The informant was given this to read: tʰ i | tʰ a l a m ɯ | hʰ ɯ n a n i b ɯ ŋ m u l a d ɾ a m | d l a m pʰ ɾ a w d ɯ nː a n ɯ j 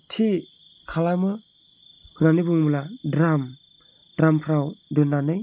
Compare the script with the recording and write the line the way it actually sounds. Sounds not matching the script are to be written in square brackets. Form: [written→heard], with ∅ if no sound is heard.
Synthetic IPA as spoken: tʰ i | [tʰ→kʰ] a l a m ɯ | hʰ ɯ n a n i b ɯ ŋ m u l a d ɾ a m | d [l→ɾ] a m pʰ ɾ a w d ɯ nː a n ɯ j